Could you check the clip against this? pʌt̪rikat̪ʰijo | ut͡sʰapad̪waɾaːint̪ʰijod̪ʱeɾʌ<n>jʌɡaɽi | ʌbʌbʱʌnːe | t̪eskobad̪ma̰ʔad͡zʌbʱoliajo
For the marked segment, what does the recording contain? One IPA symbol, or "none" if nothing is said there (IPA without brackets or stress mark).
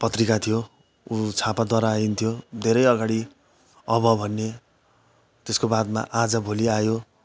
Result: none